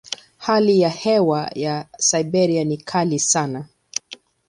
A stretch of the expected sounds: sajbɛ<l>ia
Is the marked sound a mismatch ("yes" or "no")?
yes